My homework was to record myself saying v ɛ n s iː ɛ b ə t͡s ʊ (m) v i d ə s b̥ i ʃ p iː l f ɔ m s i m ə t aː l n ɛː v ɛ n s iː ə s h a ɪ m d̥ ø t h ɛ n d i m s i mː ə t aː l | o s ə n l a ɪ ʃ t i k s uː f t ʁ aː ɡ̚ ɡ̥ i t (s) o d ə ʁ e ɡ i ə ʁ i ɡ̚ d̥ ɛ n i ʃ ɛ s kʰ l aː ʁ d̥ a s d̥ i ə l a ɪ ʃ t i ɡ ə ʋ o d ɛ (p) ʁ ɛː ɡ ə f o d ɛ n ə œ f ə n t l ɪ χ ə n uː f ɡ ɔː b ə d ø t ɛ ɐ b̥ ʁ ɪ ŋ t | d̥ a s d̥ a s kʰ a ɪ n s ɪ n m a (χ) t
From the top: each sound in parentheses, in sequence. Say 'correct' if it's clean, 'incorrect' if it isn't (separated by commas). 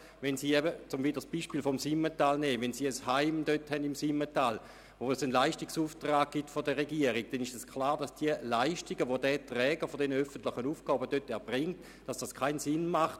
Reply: correct, incorrect, incorrect, correct